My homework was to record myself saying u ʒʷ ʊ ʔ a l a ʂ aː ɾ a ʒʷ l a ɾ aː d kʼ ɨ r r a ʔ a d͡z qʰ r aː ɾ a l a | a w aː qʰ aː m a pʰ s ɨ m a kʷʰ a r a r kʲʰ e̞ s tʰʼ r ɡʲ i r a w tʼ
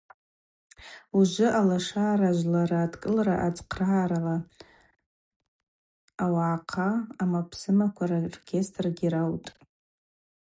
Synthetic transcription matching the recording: u ʒʷ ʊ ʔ a l a ʂ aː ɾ a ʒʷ l a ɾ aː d kʼ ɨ l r a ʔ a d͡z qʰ r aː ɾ a l a | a w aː qʰ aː m a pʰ s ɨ m a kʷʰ a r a r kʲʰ e̞ s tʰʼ r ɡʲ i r a w tʼ